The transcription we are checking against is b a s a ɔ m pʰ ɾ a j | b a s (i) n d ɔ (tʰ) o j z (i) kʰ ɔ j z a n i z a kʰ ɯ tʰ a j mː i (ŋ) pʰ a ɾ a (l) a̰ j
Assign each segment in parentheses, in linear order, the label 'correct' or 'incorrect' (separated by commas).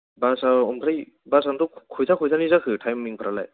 incorrect, incorrect, incorrect, correct, correct